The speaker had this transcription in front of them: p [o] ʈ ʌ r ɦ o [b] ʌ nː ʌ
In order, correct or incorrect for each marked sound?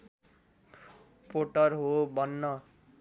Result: correct, correct

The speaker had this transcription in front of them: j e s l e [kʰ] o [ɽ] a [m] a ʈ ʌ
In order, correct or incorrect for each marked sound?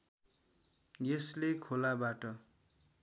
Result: correct, incorrect: l, incorrect: b

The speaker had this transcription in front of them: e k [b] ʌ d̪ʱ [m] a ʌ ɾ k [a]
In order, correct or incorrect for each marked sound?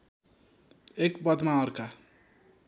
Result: correct, correct, correct

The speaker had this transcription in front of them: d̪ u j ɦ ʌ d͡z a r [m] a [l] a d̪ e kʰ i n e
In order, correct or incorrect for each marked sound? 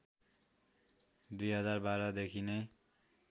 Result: incorrect: b, incorrect: ɾ

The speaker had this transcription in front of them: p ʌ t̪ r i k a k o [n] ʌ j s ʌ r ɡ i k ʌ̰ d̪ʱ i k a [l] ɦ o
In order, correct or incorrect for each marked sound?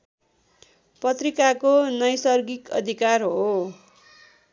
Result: correct, incorrect: r

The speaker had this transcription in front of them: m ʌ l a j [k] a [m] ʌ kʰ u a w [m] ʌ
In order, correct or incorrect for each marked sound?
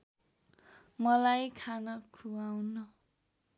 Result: incorrect: kʰ, incorrect: n, incorrect: n

